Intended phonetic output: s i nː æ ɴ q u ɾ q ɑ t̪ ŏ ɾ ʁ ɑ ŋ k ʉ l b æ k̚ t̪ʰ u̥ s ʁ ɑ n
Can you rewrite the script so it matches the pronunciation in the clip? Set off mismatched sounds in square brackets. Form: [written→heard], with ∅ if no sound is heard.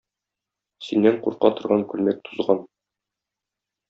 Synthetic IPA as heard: s i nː æ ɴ q u ɾ q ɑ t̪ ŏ ɾ ʁ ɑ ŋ k ʉ l [b→m] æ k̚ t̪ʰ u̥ [s→z] ʁ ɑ n